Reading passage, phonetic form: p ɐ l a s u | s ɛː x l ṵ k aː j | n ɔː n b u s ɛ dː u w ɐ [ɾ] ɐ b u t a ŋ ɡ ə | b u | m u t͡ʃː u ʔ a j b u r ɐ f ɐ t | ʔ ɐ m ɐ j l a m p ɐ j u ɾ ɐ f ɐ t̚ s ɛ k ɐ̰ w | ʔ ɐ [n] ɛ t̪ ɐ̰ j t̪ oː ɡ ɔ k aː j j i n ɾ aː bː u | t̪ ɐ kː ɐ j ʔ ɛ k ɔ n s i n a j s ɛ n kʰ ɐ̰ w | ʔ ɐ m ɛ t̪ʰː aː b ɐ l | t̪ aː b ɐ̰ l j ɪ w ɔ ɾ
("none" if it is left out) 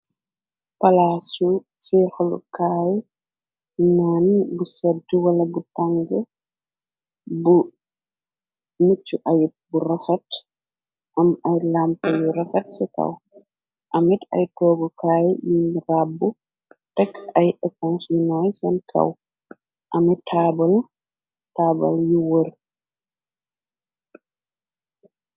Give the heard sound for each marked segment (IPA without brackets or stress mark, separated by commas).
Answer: l, m